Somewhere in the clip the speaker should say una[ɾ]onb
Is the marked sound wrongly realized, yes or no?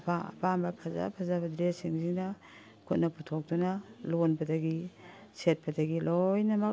yes